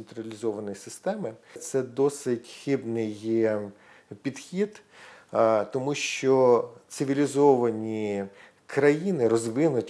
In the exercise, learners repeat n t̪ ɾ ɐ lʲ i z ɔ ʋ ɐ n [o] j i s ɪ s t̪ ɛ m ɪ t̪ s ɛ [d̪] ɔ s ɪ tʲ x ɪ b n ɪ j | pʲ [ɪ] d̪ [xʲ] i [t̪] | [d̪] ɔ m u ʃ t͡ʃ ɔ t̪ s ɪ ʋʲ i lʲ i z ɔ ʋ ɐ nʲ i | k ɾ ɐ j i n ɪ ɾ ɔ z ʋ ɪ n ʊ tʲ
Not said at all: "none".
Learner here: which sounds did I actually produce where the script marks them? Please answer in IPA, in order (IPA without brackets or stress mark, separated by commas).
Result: ɔ, d̪, i, xʲ, d̪, t̪